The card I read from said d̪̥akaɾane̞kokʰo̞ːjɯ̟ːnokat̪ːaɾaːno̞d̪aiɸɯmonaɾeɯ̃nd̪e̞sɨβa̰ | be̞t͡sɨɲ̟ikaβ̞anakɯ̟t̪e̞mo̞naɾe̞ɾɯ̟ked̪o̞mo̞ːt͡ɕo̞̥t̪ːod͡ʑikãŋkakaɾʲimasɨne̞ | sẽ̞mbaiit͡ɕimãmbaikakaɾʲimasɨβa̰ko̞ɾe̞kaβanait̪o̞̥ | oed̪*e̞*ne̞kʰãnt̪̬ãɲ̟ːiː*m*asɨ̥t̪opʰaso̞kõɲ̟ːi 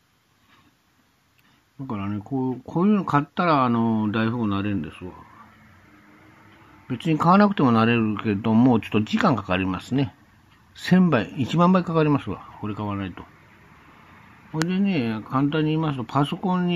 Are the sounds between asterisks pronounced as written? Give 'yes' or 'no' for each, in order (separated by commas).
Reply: yes, yes